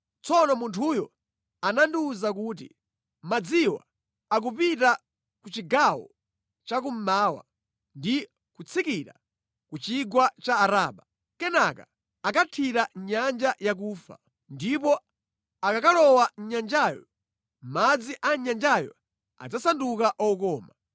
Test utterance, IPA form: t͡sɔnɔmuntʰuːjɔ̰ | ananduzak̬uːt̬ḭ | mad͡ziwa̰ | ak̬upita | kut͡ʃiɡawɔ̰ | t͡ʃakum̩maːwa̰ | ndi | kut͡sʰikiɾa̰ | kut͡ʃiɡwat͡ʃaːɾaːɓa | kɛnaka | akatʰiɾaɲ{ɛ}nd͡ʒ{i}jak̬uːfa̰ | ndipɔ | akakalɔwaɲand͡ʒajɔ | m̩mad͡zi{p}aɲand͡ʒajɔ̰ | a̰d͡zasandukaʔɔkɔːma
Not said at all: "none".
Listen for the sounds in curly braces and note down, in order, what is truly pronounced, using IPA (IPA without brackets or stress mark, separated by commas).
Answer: a, a, ʔ